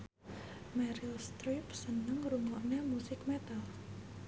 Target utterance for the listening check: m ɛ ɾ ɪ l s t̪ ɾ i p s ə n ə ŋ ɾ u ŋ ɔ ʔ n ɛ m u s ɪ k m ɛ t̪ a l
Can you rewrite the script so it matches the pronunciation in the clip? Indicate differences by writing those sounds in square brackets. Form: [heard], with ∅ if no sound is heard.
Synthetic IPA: m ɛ ɾ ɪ l s t̪ ɾ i p s ə n ə ŋ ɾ u ŋ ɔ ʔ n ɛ m u s ɪ k m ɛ t̪ a l